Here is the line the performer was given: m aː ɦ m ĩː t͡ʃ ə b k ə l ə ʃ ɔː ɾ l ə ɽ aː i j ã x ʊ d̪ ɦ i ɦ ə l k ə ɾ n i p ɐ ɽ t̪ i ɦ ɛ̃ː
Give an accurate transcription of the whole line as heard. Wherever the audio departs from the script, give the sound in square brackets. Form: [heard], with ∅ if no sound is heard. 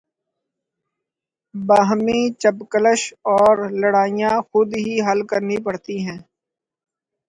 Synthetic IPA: [b] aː ɦ m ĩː t͡ʃ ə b k ə l ə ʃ ɔː ɾ l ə ɽ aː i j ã x ʊ d̪ ɦ i ɦ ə l k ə ɾ n i p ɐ ɽ t̪ i ɦ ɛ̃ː